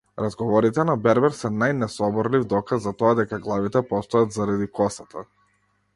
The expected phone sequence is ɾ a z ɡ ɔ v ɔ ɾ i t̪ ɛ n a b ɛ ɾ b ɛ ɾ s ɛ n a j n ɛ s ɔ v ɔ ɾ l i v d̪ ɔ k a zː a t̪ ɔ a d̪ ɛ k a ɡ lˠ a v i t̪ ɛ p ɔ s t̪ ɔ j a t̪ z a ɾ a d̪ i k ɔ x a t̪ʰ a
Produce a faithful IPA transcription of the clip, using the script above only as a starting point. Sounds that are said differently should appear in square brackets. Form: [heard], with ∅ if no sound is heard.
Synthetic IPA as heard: ɾ a z ɡ ɔ v ɔ ɾ i t̪ ɛ n a b ɛ ɾ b ɛ ɾ s ɛ n a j n ɛ s ɔ [b] ɔ ɾ l i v d̪ ɔ k a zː a t̪ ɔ a d̪ ɛ k a ɡ lˠ a v i t̪ ɛ p ɔ s t̪ ɔ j a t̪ z a ɾ a d̪ i k ɔ [s] a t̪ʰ a